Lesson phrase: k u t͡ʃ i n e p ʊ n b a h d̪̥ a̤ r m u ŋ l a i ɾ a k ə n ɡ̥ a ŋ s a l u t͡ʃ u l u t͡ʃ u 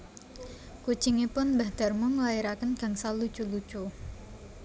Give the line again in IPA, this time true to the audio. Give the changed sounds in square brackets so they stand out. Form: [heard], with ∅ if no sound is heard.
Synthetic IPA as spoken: k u t͡ʃ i [ŋ] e p ʊ n b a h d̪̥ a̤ r m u ŋ l a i ɾ a k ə n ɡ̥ a ŋ s a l u t͡ʃ u l u t͡ʃ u